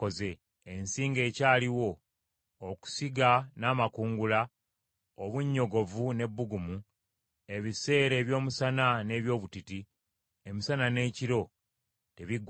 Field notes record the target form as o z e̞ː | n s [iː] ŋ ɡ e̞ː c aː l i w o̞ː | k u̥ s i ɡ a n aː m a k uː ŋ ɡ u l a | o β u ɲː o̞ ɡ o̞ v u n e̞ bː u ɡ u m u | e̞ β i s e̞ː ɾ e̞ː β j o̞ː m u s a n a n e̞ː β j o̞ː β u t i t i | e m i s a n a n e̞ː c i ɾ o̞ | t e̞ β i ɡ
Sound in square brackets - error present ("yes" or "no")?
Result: no